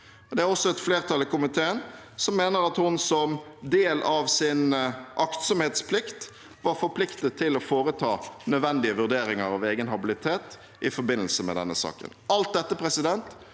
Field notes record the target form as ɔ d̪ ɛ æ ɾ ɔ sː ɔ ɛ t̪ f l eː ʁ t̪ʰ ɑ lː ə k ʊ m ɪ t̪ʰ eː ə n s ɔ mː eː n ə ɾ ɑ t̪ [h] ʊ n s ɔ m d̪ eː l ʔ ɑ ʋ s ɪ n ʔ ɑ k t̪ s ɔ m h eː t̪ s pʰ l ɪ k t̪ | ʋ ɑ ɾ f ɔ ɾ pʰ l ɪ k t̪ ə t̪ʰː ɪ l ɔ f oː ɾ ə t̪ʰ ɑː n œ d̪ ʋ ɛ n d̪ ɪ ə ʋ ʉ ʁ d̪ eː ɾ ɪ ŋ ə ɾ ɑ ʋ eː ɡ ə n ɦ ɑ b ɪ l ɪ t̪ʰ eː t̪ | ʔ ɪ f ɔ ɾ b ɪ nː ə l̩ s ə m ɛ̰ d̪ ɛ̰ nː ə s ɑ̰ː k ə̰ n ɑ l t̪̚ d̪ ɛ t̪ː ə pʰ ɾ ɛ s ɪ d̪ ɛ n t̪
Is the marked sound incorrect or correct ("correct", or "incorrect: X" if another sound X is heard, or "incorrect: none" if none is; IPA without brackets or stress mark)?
correct